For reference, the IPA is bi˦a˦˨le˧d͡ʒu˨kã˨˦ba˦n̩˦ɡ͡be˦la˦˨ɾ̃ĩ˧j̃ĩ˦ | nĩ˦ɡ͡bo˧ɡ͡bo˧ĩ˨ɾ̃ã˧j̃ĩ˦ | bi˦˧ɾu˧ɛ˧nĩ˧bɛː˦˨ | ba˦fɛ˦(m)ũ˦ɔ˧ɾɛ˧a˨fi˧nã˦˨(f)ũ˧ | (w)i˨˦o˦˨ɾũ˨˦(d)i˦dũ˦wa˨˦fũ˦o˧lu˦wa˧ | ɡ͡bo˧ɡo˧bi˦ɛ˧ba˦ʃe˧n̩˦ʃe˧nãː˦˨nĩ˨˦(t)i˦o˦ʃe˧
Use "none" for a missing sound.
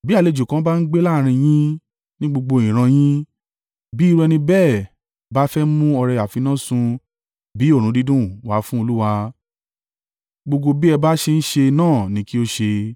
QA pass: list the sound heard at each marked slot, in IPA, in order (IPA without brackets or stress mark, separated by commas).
m, s, b, d, k